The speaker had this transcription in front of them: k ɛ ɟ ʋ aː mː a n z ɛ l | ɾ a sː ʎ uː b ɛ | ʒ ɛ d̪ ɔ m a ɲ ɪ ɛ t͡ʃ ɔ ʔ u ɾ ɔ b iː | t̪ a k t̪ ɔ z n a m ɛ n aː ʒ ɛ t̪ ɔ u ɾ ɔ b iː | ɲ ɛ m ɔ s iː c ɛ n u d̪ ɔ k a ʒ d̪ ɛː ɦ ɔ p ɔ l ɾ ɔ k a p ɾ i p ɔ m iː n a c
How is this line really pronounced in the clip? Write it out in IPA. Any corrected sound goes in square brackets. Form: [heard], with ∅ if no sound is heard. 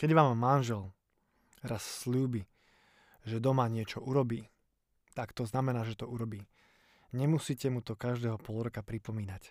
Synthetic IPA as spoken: k ɛ ɟ ʋ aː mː a n [ʒ] ɛ l | ɾ a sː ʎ uː b [i] | ʒ ɛ d̪ ɔ m a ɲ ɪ ɛ t͡ʃ ɔ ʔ u ɾ ɔ b iː | t̪ a k t̪ ɔ z n a m ɛ n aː ʒ ɛ t̪ ɔ u ɾ ɔ b iː | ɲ ɛ m [u] s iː c ɛ [m] u [t̪] ɔ k a ʒ d̪ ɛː ɦ ɔ p ɔ l ɾ ɔ k a p ɾ i p ɔ m iː n a c